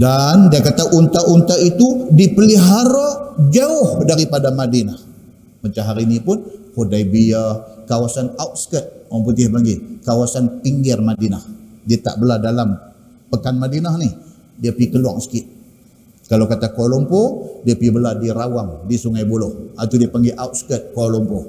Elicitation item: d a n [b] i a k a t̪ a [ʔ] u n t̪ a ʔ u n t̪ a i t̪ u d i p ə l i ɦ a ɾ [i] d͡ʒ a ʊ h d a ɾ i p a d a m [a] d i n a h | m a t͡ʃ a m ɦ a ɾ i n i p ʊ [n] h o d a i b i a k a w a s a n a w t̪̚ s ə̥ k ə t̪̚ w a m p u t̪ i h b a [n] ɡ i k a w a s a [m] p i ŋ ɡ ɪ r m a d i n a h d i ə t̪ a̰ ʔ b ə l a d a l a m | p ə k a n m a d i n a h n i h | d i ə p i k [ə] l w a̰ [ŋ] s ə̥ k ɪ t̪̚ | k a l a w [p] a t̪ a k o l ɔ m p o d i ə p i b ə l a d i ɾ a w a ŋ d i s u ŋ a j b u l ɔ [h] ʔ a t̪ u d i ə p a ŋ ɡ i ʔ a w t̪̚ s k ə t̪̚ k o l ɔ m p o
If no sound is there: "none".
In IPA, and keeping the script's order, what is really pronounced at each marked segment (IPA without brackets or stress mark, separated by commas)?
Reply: d, ʔ, a, a, n, ŋ, n, ə, ŋ, k, h